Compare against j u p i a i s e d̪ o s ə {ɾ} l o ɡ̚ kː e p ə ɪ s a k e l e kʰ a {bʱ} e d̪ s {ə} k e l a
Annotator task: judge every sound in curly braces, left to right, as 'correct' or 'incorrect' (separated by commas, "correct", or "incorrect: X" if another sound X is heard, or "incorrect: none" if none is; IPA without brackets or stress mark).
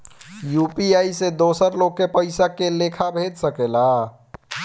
correct, correct, correct